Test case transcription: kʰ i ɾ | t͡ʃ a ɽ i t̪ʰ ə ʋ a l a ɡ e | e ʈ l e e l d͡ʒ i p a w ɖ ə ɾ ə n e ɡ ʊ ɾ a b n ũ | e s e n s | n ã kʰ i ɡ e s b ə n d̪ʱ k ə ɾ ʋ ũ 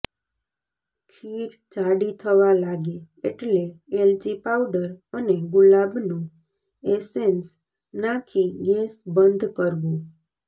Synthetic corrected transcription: kʰ i ɾ | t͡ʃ a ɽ i t̪ʰ ə ʋ a l a ɡ e | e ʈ l e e l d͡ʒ i p a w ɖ ə ɾ ə n e ɡ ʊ l a b n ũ | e s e n s | n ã kʰ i ɡ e s b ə n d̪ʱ k ə ɾ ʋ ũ